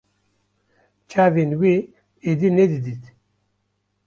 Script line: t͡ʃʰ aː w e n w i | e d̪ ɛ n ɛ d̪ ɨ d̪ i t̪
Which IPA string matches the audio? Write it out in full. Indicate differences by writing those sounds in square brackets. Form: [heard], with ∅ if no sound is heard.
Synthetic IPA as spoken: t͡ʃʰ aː [v] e n w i | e d̪ [i] n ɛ d̪ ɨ d̪ i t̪

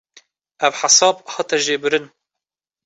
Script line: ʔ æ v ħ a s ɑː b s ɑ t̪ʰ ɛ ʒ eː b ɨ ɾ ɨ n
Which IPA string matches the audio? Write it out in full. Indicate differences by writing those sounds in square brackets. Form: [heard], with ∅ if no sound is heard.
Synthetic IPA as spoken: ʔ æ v ħ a s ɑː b [h] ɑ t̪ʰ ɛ ʒ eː b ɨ ɾ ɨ n

